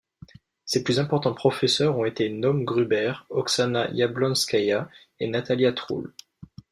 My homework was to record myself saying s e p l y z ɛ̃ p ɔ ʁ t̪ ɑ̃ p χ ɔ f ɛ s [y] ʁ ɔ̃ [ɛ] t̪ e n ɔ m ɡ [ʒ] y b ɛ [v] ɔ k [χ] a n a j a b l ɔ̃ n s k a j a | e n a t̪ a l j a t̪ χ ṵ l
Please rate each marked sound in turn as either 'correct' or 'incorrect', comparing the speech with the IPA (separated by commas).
incorrect, incorrect, incorrect, incorrect, incorrect